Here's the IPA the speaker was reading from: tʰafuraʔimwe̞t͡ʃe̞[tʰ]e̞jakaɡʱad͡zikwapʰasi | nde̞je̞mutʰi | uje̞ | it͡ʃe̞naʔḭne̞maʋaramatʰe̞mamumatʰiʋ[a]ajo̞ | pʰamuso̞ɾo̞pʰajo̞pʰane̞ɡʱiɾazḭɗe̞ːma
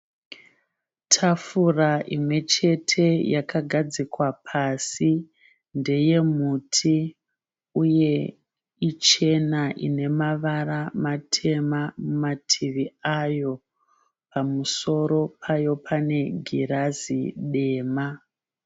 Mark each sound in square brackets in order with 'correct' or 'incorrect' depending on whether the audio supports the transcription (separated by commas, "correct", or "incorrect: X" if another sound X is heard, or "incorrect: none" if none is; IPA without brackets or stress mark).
correct, incorrect: i